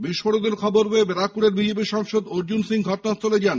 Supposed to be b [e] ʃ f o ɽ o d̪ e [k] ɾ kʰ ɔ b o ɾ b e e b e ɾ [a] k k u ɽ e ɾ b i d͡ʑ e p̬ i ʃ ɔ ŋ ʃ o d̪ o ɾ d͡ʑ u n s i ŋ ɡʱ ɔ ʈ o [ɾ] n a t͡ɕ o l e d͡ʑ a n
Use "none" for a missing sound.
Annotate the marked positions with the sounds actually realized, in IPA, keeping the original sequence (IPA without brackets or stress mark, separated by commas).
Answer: i, none, a, none